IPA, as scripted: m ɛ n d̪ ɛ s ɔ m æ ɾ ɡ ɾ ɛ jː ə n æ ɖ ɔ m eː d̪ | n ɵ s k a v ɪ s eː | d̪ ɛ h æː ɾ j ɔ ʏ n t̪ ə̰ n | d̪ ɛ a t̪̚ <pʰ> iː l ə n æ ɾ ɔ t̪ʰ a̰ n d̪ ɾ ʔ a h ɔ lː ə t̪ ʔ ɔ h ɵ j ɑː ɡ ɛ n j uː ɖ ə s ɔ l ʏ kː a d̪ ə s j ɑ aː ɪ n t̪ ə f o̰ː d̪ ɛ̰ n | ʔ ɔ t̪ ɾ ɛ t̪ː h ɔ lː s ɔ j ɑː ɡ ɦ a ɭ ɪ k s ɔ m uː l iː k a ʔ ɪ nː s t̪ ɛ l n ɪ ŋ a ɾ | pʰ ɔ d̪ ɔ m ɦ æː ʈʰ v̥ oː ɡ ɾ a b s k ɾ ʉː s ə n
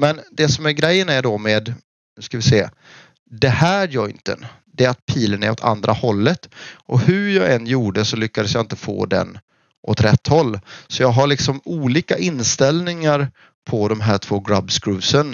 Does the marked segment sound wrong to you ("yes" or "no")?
no